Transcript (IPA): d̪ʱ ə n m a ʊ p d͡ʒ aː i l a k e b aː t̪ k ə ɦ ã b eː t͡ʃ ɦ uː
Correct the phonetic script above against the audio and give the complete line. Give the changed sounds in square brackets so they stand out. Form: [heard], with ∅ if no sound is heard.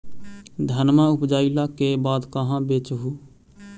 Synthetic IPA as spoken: d̪ʱ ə n m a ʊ p d͡ʒ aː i l a k e b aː [d̪] k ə ɦ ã b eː t͡ʃ ɦ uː